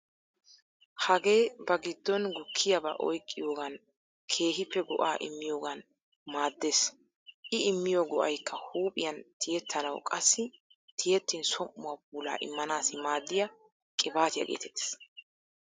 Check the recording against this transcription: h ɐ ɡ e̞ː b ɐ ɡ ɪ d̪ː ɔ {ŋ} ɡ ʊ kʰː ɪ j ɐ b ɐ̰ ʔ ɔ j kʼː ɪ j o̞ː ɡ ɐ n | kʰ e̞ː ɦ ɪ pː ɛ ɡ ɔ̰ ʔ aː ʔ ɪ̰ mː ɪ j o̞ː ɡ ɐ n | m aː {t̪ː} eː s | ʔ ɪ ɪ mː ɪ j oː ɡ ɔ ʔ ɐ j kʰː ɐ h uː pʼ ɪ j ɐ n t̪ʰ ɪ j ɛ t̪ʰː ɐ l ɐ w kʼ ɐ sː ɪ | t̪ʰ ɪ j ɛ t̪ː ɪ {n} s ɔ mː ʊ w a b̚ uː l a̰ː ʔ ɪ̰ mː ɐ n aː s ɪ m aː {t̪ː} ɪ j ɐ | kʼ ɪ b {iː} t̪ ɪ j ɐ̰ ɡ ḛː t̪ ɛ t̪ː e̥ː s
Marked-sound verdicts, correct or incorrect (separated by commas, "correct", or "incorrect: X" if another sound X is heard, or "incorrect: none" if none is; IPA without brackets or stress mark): incorrect: n, incorrect: d̪ː, correct, incorrect: d̪ː, incorrect: aː